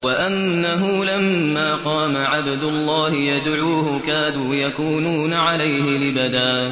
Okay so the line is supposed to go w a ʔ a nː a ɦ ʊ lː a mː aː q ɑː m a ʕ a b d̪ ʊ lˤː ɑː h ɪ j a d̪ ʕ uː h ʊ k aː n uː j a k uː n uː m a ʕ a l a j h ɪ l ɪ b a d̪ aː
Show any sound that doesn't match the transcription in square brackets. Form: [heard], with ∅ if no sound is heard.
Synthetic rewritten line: w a ʔ a nː a ɦ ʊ [l] a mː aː q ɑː m a ʕ a b d̪ ʊ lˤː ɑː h ɪ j a d̪ ʕ uː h ʊ k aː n uː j a k uː n uː [n] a ʕ a l a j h ɪ l ɪ b a d̪ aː